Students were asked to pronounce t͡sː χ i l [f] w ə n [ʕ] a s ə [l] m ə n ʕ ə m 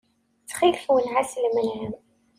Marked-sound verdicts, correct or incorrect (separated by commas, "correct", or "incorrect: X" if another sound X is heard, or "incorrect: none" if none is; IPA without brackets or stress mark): correct, correct, correct